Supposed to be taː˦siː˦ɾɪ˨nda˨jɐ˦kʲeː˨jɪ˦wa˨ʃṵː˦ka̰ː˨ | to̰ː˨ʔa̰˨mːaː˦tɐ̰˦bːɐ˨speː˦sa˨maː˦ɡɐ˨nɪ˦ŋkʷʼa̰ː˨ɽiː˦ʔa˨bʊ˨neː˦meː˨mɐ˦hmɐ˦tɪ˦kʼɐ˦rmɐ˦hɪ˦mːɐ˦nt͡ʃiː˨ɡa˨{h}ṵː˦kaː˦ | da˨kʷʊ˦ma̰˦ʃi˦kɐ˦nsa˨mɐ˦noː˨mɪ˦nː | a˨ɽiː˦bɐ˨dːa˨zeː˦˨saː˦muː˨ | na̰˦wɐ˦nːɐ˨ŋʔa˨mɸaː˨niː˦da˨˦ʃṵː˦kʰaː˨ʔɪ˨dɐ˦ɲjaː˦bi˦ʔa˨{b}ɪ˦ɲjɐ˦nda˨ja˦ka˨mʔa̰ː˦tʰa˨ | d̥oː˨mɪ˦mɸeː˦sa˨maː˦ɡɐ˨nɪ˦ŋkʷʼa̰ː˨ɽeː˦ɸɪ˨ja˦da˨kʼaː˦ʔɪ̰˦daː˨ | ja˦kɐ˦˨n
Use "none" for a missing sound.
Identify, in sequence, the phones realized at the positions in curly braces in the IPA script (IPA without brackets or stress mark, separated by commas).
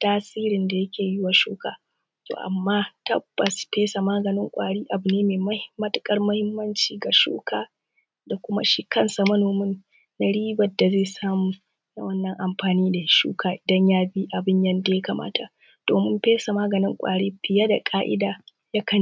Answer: ʃ, b